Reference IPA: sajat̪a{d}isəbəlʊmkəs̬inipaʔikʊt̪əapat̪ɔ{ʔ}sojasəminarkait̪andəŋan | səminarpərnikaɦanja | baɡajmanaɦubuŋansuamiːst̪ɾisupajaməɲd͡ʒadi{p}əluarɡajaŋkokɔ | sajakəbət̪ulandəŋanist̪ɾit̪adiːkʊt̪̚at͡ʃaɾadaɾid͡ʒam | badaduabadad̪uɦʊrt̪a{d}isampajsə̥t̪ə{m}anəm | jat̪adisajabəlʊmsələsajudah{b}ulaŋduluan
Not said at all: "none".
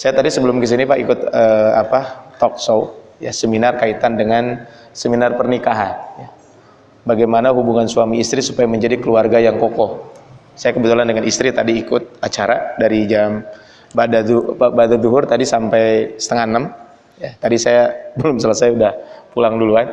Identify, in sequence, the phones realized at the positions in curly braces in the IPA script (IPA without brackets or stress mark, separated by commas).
d, k, k, d, ŋ, p